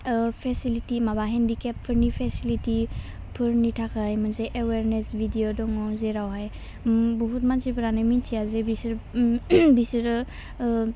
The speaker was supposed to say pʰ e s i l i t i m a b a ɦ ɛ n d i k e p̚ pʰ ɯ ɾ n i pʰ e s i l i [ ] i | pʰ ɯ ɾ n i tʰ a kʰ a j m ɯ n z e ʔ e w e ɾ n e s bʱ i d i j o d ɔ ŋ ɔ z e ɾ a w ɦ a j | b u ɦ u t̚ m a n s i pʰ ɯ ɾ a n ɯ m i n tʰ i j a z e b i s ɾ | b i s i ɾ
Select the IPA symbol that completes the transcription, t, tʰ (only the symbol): t